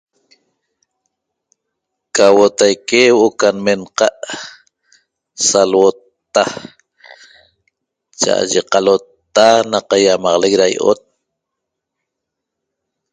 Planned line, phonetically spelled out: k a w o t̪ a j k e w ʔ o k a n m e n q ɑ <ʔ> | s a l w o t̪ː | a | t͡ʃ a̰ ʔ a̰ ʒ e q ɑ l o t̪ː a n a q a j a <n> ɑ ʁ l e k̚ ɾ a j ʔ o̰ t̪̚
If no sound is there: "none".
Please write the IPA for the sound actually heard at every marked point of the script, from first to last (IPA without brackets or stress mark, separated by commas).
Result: ʔ, m